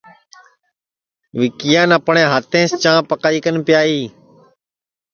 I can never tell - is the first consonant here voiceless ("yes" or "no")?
no